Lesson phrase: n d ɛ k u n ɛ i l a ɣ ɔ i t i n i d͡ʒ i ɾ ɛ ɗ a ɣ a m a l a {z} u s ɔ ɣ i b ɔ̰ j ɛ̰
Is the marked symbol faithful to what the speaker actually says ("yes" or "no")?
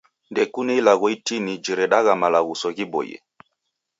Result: no